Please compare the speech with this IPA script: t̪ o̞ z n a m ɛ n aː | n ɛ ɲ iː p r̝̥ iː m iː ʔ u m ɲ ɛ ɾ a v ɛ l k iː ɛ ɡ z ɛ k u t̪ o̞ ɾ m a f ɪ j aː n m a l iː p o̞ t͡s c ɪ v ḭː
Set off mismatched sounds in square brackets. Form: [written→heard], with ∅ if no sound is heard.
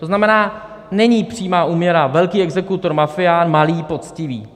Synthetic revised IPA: t̪ o̞ z n a m ɛ n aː | n ɛ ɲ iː p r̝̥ iː m [iː→aː] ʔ [u→uː] m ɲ ɛ ɾ a v ɛ l k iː ɛ ɡ z ɛ k u t̪ o̞ ɾ m a f ɪ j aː n m a l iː p o̞ t͡s c ɪ v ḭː